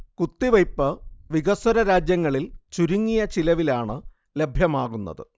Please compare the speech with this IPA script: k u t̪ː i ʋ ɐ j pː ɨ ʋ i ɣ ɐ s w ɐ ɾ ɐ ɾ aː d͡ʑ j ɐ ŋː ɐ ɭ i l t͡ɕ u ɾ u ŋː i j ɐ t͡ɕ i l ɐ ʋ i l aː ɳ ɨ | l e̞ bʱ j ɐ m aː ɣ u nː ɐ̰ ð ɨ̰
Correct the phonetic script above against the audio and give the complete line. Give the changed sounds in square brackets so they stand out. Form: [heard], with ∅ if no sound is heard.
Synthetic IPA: k u t̪ː i ʋ ɐ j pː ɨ ʋ i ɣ ɐ s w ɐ ɾ ɐ ɾ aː d͡ʑ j ɐ ŋː ɐ ɭ i l t͡ɕ u ɾ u ŋː i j ɐ t͡ɕ i l ɐ ʋ i l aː ɳ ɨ | l e̞ bʱ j ɐ m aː ɣ u nː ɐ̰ ð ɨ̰